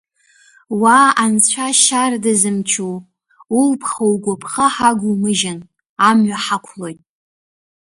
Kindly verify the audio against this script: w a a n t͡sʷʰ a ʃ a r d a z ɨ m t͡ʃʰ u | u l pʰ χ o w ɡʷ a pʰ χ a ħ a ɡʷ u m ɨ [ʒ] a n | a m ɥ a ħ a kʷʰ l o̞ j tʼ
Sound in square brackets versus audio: correct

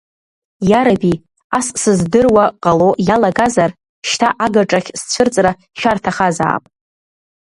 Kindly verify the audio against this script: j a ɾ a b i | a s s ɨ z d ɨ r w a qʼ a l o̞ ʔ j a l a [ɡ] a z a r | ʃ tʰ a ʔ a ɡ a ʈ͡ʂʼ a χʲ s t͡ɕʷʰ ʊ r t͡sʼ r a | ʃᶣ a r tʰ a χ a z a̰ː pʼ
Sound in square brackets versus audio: correct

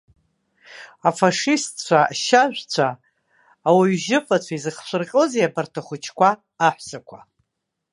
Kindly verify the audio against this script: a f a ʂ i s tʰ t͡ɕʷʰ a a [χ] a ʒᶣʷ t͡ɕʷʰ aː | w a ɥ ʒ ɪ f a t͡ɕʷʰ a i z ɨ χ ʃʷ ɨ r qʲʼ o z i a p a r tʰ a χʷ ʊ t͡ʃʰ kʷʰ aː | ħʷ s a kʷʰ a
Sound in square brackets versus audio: incorrect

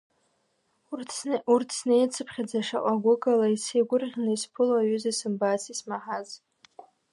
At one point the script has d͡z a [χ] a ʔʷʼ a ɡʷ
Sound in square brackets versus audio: incorrect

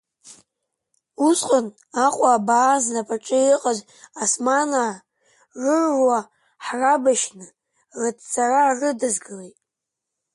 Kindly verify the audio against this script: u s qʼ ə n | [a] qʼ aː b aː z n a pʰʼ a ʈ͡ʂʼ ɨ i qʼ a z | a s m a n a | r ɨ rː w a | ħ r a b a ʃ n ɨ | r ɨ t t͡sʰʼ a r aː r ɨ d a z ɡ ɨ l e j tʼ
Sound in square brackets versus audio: correct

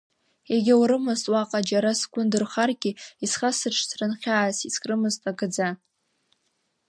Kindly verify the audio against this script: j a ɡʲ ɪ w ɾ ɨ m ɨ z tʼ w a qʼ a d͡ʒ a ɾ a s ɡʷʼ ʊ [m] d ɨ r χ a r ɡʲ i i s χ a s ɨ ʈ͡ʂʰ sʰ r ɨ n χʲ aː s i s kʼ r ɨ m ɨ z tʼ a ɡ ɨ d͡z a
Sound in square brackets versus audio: incorrect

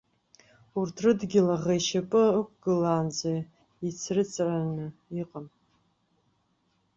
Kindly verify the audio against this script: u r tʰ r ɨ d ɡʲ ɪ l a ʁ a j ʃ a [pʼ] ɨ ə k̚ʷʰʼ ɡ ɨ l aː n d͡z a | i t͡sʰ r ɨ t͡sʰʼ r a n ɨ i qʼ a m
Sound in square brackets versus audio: correct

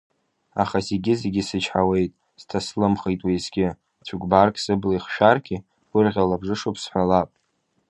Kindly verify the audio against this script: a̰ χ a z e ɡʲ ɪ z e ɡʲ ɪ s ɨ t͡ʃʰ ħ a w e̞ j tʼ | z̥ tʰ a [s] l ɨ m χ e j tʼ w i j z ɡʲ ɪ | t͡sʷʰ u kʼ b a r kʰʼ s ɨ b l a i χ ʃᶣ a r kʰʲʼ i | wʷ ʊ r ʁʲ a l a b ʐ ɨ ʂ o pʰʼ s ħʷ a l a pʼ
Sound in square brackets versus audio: correct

